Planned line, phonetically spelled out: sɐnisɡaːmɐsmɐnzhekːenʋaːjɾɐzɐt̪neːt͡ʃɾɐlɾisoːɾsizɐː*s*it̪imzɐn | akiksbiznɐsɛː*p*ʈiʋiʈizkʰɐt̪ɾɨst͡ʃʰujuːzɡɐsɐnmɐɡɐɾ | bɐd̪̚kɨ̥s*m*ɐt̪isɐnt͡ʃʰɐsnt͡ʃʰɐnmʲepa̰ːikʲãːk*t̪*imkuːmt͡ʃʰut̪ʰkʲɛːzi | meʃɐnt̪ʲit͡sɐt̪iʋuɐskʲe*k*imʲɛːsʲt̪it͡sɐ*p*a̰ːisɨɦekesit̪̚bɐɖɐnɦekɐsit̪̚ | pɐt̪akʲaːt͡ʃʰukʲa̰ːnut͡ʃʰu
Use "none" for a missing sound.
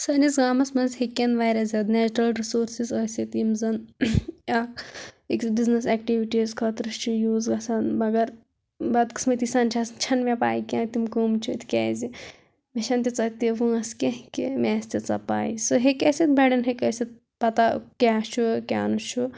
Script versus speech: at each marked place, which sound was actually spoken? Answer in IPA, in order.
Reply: s, k, m, t̪, k, p

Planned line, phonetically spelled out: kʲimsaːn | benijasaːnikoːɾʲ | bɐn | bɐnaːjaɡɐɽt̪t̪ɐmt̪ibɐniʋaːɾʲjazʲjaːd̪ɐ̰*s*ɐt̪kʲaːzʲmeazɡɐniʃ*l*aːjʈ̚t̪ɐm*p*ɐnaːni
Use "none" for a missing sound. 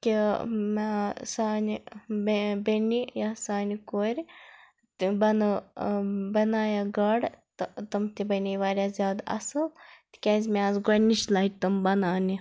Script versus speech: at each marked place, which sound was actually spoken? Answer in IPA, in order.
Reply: s, l, b

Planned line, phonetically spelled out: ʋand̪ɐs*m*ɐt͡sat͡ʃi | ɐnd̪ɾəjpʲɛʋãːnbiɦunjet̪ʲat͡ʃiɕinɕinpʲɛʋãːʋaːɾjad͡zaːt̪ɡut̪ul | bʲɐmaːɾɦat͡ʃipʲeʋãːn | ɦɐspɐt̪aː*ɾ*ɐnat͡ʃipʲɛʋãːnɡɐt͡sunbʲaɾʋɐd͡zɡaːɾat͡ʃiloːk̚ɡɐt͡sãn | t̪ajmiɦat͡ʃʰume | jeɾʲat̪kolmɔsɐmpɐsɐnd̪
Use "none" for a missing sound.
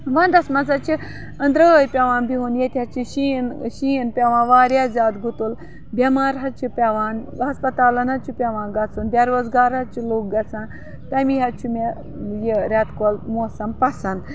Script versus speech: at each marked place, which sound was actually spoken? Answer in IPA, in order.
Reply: m, l

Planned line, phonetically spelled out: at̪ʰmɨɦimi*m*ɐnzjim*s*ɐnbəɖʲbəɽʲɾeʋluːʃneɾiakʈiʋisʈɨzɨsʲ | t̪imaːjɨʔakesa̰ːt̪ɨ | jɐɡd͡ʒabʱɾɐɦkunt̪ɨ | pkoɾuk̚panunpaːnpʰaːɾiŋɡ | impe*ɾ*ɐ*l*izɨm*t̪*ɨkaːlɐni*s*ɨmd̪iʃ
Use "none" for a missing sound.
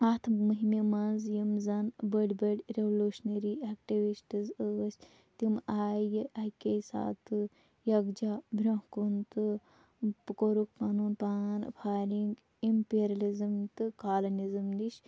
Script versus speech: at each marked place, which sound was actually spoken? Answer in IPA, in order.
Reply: m, z, ɾ, l, t̪, z

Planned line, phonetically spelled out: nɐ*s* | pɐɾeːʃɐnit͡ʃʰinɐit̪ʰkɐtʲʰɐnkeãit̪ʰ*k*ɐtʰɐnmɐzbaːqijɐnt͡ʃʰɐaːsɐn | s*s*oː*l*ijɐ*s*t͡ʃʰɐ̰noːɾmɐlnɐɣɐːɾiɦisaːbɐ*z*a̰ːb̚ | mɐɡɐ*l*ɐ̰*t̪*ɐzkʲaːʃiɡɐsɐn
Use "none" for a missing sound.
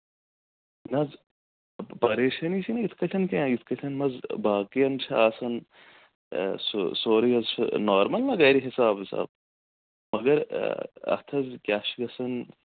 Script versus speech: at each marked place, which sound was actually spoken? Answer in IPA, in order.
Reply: z, k, s, ɾ, z, s, ɾ, t̪ʰ

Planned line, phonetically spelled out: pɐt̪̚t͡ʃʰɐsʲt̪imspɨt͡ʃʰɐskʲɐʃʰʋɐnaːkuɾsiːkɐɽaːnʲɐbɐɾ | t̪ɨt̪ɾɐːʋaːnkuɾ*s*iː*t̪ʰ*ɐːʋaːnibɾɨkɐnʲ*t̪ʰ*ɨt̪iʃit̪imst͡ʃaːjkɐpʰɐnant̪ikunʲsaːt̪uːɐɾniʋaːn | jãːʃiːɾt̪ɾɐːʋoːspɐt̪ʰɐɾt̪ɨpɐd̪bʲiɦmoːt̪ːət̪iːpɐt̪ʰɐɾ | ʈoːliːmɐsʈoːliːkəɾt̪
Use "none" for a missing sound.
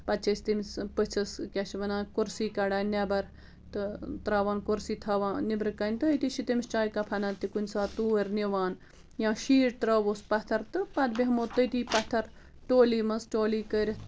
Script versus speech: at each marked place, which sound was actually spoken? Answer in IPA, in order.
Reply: s, t̪ʰ, t̪

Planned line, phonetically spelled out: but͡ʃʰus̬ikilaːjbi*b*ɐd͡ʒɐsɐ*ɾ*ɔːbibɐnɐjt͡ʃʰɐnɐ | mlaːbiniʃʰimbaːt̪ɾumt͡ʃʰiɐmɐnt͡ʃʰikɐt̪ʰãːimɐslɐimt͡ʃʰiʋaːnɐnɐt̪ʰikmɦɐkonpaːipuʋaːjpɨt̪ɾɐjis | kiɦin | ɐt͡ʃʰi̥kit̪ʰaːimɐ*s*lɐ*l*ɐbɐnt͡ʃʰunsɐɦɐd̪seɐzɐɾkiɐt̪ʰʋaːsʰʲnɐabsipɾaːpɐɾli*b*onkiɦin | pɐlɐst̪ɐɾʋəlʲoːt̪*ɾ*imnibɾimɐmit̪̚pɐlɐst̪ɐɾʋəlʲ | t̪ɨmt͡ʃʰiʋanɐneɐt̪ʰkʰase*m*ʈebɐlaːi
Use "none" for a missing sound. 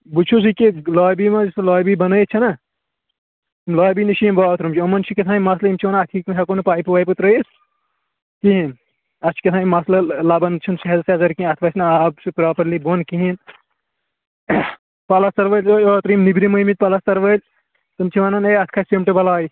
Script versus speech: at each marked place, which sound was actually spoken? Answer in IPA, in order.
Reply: m, l, s, l, b, ɾ, m

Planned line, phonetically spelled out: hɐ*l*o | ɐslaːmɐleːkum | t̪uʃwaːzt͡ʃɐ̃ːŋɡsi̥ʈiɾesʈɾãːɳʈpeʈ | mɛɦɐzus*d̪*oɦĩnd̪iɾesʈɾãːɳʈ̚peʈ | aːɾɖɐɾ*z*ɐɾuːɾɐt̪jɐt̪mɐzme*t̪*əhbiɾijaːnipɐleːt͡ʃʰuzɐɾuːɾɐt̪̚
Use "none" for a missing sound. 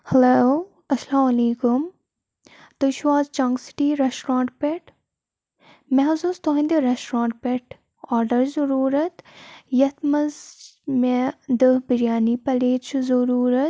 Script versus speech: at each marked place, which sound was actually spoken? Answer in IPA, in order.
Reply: l, t̪, z, d̪

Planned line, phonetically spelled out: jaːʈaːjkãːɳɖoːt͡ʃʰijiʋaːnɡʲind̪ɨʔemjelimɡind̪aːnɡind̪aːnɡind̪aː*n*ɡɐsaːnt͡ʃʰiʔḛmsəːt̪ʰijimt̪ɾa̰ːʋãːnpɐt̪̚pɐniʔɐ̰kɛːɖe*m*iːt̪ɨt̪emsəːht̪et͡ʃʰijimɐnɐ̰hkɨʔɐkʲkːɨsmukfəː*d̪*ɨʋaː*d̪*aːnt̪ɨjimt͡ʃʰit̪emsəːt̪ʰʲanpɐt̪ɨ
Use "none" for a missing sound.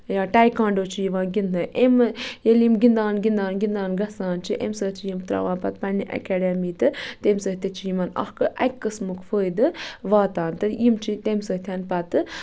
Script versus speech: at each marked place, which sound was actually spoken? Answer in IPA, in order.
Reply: n, m, d̪, t̪

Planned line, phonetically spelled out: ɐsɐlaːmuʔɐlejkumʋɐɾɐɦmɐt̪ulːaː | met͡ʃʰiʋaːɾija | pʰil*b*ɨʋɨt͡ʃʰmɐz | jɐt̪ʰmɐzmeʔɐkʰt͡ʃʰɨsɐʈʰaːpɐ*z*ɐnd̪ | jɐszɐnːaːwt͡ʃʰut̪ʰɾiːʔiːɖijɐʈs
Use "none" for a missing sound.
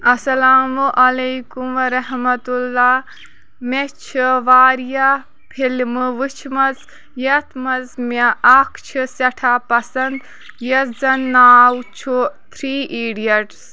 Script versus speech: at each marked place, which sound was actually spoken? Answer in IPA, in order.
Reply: m, s

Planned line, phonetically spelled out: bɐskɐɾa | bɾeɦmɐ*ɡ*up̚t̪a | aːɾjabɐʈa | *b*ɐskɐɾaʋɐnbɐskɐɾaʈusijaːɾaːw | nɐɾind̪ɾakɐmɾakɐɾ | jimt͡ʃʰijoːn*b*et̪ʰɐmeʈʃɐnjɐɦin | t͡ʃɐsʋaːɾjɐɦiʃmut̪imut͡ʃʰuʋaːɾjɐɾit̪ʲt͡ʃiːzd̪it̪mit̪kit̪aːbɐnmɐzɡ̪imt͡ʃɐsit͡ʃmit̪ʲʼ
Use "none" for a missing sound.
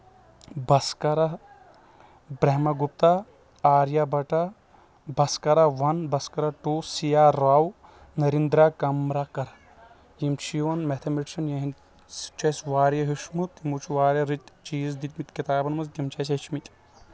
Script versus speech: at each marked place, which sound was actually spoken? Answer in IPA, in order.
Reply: ɡ, b, m

